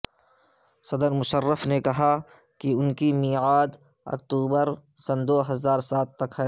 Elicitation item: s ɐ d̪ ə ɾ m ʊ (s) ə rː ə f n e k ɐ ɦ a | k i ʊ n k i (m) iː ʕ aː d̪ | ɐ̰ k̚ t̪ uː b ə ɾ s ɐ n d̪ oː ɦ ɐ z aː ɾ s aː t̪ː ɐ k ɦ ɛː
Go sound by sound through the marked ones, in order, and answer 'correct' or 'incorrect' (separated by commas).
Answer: incorrect, correct